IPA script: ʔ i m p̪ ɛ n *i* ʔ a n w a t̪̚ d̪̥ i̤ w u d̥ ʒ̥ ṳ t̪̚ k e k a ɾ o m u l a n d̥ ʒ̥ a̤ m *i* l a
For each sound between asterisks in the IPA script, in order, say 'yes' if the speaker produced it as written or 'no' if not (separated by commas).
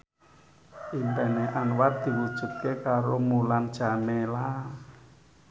no, no